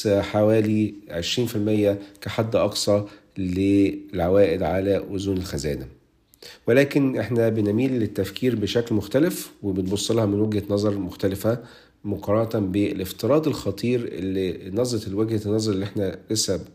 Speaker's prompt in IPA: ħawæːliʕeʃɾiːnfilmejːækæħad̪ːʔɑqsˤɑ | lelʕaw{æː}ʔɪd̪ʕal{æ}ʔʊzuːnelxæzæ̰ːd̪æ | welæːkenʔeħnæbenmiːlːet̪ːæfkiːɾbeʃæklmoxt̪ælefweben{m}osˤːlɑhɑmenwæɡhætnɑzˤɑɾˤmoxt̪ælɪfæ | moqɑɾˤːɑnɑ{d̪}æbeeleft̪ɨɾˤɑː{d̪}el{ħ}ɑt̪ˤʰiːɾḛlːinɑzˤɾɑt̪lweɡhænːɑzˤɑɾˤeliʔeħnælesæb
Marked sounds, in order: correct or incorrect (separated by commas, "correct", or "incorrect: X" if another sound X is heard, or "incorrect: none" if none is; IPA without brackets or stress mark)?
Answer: correct, correct, incorrect: b, incorrect: t̪, correct, incorrect: x